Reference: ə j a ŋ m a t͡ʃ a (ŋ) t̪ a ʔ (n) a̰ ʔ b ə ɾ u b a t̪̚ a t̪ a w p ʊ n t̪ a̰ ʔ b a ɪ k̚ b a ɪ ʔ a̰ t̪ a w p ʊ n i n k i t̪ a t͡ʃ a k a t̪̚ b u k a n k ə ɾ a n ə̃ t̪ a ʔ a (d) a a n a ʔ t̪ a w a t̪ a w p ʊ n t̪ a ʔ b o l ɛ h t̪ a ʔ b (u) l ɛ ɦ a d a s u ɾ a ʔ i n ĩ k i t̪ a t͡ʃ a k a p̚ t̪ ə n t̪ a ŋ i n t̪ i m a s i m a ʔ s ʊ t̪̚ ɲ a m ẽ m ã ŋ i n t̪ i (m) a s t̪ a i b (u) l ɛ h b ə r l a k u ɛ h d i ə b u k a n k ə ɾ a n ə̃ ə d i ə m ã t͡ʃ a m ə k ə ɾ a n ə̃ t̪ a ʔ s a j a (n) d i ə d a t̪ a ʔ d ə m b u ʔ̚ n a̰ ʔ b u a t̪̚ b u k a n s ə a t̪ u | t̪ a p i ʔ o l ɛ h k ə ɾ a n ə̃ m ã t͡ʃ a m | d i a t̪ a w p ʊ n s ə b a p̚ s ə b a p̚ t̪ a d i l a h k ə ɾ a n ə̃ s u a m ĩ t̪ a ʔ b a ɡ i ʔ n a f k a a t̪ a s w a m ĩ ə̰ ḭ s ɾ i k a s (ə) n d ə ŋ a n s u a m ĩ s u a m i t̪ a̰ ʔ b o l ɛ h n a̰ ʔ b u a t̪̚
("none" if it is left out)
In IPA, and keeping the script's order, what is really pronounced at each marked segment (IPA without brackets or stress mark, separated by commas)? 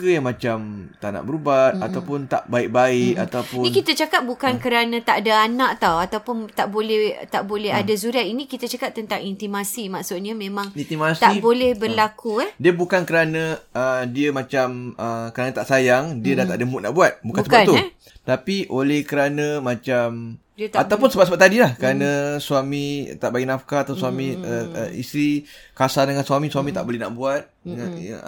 m, n, d, o, m, o, ŋ, a